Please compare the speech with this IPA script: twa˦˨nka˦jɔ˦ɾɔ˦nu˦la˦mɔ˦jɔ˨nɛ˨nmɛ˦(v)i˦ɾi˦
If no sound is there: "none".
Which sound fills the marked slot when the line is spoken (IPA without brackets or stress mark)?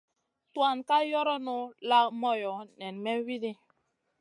w